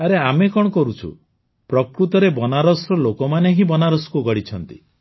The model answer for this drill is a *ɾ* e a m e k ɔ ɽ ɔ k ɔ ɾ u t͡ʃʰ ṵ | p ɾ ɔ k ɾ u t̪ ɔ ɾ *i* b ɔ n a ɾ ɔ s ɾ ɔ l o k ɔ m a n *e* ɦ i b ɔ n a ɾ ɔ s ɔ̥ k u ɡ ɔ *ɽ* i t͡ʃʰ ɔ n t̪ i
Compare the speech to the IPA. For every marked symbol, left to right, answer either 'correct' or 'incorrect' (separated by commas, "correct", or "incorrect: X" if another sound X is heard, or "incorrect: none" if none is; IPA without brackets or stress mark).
correct, incorrect: e, correct, correct